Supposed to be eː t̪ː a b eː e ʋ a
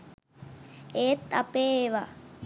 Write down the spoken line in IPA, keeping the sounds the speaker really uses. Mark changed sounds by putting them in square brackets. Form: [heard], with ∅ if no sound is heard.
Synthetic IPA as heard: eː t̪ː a [p] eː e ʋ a